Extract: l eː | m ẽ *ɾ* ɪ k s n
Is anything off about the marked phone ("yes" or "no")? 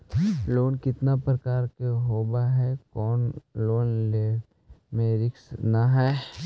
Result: no